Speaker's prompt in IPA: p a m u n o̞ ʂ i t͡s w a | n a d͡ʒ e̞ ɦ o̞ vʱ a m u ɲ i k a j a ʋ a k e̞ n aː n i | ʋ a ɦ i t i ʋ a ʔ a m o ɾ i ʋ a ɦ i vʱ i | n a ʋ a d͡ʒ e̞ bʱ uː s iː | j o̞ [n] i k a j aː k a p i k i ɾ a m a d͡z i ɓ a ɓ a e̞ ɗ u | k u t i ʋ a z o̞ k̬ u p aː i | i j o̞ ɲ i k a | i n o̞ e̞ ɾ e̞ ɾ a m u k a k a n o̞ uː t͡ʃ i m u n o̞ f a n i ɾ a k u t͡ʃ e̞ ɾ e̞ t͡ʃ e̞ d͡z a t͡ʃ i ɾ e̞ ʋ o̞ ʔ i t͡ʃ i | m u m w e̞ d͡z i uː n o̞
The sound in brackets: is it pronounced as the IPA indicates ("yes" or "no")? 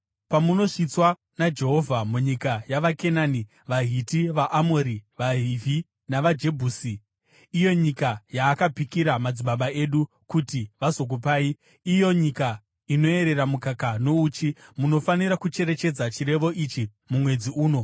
no